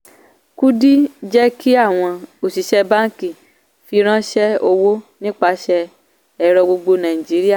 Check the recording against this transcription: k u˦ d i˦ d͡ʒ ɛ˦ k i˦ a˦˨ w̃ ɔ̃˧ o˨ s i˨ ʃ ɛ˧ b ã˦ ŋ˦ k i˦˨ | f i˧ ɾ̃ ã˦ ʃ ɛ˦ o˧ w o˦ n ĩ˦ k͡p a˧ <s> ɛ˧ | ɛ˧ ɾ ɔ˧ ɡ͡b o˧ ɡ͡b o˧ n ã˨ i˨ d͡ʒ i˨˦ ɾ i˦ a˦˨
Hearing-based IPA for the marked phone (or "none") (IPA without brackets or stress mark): ʃ